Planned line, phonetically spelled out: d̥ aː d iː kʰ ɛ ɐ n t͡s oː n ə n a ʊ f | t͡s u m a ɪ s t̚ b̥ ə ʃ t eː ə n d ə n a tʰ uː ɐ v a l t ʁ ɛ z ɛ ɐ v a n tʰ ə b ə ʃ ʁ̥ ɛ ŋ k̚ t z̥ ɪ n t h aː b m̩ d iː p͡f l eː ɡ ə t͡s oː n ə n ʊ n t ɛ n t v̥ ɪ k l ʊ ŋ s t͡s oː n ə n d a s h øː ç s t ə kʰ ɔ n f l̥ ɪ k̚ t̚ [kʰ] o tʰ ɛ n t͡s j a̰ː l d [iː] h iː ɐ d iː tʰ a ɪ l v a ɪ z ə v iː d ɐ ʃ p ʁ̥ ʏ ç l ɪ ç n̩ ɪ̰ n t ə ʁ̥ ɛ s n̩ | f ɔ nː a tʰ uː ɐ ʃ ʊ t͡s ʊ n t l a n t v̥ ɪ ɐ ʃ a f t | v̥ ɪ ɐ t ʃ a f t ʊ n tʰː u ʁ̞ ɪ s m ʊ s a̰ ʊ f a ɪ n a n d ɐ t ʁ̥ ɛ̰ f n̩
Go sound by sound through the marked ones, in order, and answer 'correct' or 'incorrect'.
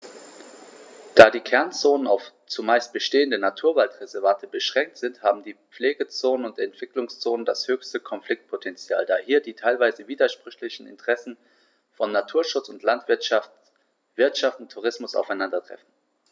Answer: incorrect, incorrect

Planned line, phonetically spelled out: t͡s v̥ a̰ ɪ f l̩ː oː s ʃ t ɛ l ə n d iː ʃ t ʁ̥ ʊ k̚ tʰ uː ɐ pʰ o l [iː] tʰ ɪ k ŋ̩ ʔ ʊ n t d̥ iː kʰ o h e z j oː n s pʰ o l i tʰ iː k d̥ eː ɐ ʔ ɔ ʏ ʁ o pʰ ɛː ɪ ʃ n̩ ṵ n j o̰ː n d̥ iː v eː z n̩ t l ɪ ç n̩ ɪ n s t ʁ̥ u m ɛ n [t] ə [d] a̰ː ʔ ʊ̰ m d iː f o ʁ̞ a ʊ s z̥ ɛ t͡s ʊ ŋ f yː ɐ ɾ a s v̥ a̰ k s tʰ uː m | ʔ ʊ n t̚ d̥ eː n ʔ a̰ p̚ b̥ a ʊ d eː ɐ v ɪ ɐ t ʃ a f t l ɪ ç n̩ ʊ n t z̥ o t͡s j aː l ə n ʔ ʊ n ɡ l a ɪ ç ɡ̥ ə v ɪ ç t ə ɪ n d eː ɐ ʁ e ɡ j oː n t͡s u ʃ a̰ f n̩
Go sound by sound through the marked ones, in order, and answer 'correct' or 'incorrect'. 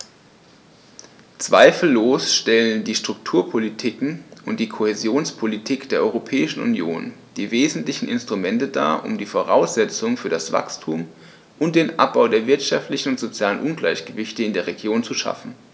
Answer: incorrect, correct, correct

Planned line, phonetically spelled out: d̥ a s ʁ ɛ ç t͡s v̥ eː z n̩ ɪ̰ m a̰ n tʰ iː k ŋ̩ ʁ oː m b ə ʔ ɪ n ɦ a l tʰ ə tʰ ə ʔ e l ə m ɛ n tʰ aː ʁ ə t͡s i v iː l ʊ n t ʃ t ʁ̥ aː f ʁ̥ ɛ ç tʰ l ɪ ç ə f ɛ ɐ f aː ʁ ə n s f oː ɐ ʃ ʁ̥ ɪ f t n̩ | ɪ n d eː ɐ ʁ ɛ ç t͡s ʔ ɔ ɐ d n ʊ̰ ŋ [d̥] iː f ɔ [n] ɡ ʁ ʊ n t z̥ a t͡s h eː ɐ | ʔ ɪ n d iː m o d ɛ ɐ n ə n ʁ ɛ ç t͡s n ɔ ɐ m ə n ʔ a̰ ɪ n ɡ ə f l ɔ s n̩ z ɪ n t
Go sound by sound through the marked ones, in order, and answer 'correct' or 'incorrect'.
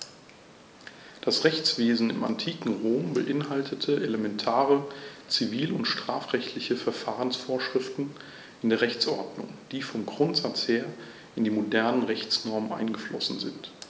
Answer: correct, incorrect

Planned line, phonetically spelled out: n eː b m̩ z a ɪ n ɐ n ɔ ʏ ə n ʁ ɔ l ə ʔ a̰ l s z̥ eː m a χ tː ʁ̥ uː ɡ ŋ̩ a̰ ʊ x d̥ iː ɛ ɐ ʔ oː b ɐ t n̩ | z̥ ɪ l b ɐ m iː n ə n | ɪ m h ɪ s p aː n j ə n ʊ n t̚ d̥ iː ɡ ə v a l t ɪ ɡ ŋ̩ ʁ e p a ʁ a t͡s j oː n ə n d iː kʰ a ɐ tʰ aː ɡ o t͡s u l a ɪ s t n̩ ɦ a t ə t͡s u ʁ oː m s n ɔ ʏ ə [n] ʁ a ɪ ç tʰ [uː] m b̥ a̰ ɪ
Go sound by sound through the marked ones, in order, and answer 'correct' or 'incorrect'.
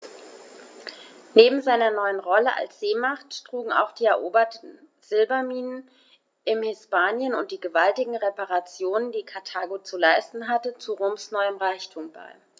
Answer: incorrect, correct

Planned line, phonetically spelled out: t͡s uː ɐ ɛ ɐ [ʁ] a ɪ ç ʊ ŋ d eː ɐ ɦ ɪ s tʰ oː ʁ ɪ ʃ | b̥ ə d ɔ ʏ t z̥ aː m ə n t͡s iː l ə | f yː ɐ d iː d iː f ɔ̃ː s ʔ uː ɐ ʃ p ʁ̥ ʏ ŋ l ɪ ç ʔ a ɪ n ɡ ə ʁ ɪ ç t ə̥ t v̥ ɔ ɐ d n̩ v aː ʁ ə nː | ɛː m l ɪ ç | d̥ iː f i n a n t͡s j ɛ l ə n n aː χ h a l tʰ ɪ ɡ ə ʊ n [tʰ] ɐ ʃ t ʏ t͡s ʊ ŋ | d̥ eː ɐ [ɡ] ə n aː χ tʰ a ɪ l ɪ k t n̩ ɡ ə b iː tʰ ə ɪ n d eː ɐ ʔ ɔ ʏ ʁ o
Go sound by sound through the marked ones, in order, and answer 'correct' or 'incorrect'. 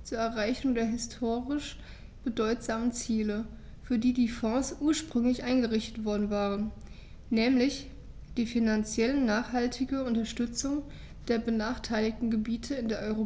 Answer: correct, incorrect, incorrect

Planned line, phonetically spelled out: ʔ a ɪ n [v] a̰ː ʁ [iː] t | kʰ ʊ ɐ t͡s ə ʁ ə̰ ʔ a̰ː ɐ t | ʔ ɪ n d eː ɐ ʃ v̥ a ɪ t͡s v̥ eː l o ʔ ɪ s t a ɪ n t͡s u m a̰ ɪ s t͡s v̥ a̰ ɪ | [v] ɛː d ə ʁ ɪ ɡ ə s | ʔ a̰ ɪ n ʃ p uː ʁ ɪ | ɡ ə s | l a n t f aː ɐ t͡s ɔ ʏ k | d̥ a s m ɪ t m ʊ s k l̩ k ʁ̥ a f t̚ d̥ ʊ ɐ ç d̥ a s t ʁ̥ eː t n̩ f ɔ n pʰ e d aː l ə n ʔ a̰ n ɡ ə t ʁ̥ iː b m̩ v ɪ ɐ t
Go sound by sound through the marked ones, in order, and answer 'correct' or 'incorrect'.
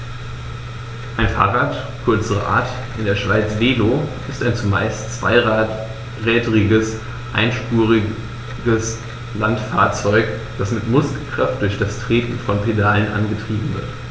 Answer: incorrect, incorrect, incorrect

